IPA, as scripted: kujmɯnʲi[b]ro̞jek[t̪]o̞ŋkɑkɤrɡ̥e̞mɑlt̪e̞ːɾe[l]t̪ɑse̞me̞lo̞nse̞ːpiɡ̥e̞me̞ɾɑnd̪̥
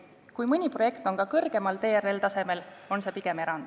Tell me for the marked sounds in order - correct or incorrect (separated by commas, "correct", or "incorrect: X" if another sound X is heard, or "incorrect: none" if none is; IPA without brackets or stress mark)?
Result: incorrect: p, correct, correct